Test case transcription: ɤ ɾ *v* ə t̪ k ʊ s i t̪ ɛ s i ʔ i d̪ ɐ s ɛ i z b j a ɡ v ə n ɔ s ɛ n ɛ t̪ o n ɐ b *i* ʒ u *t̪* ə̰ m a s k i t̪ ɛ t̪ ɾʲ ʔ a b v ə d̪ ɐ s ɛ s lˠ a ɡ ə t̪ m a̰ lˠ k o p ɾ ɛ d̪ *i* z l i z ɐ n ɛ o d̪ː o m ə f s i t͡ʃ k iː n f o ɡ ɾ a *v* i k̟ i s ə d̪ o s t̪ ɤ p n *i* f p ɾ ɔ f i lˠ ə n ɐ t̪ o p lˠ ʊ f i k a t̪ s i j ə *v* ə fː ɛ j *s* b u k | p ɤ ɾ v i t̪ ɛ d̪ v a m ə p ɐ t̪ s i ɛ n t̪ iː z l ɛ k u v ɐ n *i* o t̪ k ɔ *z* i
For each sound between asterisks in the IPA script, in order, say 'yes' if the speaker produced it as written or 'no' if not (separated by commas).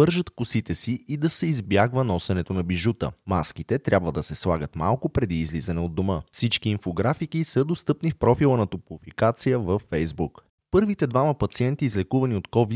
no, yes, yes, no, no, yes, yes, no, yes, no